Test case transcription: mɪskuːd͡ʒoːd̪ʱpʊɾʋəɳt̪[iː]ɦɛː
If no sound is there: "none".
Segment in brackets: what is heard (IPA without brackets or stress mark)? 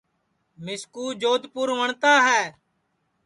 aː